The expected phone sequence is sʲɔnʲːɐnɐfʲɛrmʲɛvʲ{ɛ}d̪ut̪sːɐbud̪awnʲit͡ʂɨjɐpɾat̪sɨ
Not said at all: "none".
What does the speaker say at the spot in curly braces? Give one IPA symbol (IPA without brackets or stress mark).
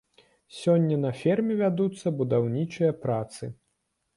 a